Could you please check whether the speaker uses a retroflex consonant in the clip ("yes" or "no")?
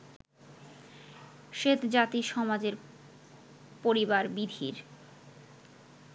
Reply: no